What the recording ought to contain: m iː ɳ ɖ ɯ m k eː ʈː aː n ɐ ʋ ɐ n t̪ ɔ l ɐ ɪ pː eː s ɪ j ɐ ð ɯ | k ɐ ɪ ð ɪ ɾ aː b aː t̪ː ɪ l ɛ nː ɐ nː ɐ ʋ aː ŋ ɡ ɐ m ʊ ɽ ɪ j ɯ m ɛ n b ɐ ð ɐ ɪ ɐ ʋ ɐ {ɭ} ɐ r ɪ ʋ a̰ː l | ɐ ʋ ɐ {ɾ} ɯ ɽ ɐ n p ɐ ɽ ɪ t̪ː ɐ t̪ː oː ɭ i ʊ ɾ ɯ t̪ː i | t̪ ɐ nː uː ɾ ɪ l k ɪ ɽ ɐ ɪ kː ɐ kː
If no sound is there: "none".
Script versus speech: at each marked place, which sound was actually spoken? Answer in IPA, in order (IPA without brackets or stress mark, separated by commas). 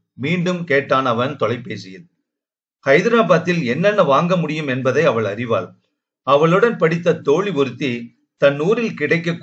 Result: ɭ, ɭ